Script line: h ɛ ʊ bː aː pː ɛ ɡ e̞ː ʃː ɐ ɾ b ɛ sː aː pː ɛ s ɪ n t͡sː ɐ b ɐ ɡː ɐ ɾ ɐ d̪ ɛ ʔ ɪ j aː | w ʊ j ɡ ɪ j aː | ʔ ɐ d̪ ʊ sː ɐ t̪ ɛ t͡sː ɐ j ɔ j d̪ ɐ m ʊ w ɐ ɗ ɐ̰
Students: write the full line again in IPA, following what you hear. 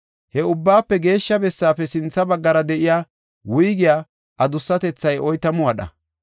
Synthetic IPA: h ɛ ʊ bː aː pː ɛ ɡ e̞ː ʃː ɐ b ɛ sː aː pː ɛ s ɪ n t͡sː ɐ b ɐ ɡː ɐ ɾ ɐ d̪ ɛ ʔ ɪ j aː | w ʊ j ɡ ɪ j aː | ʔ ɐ d̪ ʊ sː ɐ t̪ ɛ t͡sː ɐ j ɔ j t̪ ɐ m ʊ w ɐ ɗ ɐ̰